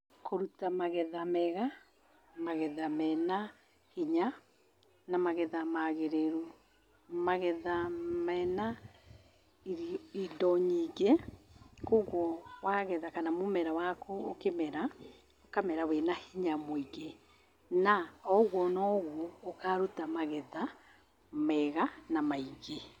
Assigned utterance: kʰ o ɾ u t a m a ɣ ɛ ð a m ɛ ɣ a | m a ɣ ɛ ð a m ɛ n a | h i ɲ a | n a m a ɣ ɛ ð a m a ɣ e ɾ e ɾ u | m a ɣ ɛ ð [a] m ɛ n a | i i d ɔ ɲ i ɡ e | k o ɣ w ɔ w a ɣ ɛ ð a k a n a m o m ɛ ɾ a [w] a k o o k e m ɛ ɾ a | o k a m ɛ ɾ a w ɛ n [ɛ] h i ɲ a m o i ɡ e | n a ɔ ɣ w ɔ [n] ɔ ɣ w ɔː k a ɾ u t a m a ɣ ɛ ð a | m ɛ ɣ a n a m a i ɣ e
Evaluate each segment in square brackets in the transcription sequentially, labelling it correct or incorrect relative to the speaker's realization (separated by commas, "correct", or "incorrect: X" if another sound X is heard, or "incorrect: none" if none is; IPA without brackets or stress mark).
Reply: correct, correct, incorrect: a, correct